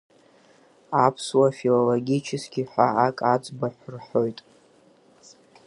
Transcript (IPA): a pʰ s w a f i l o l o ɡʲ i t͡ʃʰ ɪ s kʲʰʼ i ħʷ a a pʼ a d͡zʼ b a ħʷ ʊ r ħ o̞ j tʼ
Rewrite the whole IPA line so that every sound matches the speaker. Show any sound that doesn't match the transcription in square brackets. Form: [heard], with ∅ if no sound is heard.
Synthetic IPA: a pʰ s w a f i l o l o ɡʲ i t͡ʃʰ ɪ s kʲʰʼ i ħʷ a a [kʼ] a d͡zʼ b a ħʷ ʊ r ħ o̞ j tʼ